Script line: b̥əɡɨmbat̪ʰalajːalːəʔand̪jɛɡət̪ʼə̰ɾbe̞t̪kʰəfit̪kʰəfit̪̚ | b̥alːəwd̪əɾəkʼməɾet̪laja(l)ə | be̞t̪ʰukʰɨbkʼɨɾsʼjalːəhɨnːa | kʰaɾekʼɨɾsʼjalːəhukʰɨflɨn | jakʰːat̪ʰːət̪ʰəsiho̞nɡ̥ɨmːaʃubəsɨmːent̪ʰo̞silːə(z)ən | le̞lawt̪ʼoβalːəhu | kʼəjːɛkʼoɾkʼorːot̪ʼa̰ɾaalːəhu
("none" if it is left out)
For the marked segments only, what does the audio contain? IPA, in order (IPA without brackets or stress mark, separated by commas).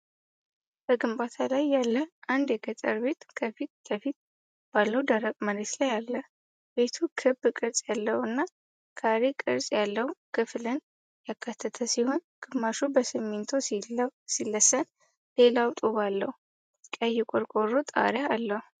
lː, s